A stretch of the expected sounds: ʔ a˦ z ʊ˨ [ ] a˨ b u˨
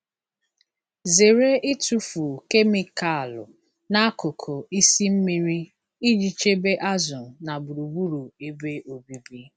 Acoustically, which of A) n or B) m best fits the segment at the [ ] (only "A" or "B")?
A